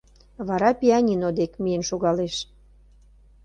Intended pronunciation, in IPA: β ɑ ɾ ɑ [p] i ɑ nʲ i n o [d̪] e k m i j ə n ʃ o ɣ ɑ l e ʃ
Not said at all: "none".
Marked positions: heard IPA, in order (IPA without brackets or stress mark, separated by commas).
p, d̪